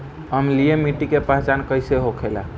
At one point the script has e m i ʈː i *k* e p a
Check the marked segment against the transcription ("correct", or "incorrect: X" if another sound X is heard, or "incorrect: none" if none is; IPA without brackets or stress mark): correct